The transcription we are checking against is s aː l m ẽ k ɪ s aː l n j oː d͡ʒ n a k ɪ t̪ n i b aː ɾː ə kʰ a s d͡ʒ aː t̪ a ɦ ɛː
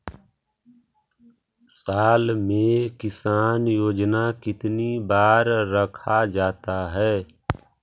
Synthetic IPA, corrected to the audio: s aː l m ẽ k ɪ s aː n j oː d͡ʒ n a k ɪ t̪ n i b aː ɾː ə kʰ a d͡ʒ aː t̪ a ɦ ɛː